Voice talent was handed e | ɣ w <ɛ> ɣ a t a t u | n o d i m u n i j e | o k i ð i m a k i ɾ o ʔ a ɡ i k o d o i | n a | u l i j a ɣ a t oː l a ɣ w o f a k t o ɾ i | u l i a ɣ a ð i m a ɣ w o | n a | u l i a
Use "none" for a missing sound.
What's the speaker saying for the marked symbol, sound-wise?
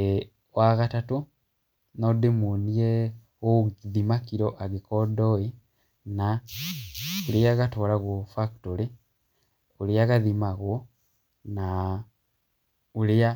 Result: a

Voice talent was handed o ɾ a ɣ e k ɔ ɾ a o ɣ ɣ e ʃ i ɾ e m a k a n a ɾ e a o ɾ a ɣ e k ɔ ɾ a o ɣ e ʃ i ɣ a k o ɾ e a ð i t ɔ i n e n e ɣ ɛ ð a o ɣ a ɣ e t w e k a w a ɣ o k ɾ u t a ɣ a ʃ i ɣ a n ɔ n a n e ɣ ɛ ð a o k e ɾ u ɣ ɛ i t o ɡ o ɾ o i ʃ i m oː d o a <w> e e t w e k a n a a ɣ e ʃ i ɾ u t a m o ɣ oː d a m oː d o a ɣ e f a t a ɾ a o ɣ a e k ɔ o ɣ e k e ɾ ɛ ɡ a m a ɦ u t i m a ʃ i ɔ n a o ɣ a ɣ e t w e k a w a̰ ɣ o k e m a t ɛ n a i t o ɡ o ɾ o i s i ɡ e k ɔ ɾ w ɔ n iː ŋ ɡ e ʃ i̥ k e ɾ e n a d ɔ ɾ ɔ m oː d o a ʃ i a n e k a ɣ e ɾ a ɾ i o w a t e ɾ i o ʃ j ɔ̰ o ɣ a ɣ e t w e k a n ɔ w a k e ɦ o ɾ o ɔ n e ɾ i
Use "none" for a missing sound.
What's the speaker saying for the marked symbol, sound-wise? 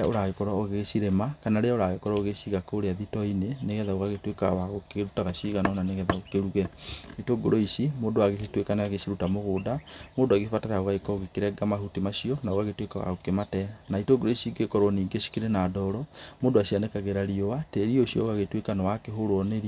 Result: ɣ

